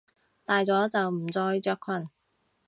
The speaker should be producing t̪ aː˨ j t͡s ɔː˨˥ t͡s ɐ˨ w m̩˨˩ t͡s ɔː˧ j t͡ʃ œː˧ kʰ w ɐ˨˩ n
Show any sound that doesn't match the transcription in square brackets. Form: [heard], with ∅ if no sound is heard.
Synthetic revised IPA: t̪ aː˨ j t͡s ɔː˨˥ t͡s ɐ˨ w m̩˨˩ t͡s ɔː˧ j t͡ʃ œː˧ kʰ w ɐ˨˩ n